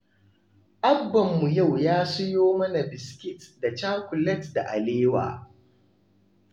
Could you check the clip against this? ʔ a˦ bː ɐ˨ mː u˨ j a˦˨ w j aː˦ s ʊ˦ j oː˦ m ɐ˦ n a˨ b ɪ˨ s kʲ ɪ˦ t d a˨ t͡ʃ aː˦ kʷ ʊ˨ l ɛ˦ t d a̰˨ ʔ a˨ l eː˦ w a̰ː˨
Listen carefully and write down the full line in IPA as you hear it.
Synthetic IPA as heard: ʔ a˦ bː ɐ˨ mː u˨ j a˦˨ w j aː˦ s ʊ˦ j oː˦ m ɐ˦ n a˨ b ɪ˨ s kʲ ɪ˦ t d a˨ t͡ʃ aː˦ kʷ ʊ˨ l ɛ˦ t d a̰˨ ʔ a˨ l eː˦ w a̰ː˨